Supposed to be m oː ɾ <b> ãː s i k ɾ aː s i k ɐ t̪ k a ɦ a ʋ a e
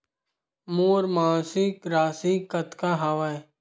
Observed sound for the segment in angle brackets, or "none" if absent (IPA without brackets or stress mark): m